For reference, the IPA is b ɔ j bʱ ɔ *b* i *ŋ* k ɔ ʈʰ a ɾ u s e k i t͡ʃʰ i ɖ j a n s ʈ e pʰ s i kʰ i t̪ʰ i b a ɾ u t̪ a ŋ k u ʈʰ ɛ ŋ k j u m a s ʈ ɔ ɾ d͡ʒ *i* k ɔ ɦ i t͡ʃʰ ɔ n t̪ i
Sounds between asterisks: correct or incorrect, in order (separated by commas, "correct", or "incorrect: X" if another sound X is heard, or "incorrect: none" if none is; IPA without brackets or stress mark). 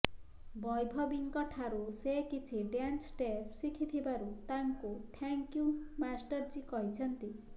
correct, correct, correct